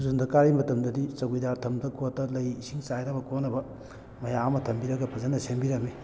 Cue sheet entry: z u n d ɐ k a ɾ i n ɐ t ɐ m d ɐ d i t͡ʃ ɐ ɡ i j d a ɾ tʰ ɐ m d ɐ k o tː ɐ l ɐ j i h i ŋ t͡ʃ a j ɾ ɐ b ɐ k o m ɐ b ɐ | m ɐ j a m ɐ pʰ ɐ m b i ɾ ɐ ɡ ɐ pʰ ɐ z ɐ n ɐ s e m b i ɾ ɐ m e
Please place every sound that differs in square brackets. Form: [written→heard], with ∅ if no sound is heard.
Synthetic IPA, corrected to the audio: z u n d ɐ k a ɾ i [n→m] ɐ t ɐ m d ɐ d i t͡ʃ ɐ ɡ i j d a ɾ tʰ ɐ m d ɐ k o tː ɐ l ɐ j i [h→s] i ŋ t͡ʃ a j ɾ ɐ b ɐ k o [m→n] ɐ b ɐ | m ɐ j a m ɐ [pʰ→tʰ] ɐ m b i ɾ ɐ ɡ ɐ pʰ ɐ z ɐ n ɐ s e m b i ɾ ɐ m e